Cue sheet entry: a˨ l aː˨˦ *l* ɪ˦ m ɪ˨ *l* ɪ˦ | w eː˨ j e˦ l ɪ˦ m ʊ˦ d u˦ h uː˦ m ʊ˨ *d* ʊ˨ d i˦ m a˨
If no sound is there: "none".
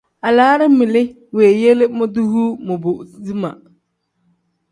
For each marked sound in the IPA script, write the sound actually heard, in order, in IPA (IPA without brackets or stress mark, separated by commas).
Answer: ɾ, l, b